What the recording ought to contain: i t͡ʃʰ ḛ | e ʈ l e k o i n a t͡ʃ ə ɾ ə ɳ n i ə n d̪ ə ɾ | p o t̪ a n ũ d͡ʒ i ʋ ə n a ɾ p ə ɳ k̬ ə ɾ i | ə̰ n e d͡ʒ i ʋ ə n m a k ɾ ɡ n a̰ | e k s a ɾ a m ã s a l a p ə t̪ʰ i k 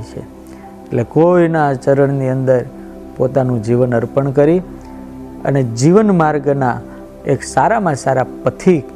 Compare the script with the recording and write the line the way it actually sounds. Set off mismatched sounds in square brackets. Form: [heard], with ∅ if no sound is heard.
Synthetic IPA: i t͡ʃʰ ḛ | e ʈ l e k o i n a t͡ʃ ə ɾ ə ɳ n i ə n d̪ ə ɾ | p o t̪ a n ũ d͡ʒ i ʋ ə n [ə] ɾ p ə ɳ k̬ ə ɾ i | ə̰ n e d͡ʒ i ʋ ə n m a [∅] ɾ ɡ n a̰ | e k s a ɾ a m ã s a [ɾ] a p ə t̪ʰ i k